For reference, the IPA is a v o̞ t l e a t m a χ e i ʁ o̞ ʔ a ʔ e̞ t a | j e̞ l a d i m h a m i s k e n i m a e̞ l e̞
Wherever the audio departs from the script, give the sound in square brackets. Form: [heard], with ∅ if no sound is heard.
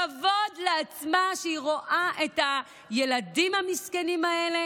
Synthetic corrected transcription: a v o̞ [d] l e a [t͡s] m a [ʃ] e i ʁ o̞ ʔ a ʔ e̞ t a | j e̞ l a d i m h a m i s k e n i m a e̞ l e̞